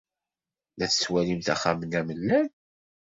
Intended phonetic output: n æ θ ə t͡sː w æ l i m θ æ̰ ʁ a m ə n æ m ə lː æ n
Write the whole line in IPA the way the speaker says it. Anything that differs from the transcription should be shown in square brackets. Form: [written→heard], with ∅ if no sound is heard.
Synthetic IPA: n æ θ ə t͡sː w æ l i m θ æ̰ [ʁ→χ] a m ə n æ m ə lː æ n